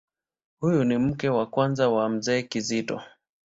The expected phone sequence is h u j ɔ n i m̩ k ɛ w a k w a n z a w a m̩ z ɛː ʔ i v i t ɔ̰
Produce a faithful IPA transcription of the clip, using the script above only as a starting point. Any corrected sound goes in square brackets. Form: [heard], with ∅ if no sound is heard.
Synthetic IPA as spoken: h u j [u] n i m̩ k ɛ w a k w a n z a w a m̩ z ɛː [k] i [z] i t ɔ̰